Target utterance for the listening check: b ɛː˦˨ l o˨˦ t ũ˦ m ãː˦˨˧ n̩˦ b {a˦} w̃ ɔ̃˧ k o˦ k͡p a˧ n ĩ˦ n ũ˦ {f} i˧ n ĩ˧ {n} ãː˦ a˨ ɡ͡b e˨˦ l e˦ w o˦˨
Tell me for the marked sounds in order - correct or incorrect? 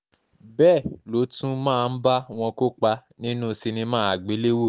correct, incorrect: s, incorrect: m

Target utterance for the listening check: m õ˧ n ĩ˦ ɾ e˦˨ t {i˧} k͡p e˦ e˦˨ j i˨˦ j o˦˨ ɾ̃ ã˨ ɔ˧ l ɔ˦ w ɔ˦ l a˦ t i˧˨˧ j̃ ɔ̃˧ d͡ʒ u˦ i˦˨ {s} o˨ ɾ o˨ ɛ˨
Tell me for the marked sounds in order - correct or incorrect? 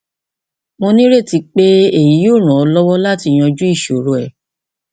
correct, incorrect: ʃ

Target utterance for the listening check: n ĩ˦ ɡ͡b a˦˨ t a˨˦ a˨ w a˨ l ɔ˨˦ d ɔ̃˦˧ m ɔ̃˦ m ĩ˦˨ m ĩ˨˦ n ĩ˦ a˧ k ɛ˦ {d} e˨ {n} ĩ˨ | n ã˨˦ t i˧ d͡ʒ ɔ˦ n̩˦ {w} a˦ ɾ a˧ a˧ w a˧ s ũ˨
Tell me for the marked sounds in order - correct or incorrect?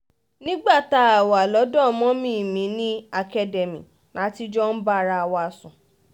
correct, incorrect: m, incorrect: b

